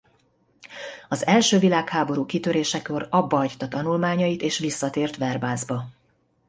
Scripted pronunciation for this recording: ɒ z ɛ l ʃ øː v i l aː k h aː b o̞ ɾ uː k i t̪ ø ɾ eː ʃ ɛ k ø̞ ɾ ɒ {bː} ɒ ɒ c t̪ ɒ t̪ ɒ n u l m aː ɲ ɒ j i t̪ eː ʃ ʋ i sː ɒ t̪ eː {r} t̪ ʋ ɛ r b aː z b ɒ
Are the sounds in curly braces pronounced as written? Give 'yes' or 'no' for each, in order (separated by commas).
yes, yes